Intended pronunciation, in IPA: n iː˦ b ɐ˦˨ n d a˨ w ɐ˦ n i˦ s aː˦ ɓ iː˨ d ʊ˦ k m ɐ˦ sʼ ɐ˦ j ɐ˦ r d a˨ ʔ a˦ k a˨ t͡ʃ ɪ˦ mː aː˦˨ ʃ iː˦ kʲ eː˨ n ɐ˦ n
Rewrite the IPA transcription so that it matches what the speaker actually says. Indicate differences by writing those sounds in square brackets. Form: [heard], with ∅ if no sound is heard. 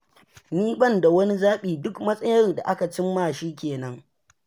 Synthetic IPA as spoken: n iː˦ b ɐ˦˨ n d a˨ w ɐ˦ n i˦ [z] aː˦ ɓ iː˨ d ʊ˦ k m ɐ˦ sʼ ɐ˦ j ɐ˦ r d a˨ ʔ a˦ k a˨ t͡ʃ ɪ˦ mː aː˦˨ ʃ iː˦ kʲ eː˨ n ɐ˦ [ŋ]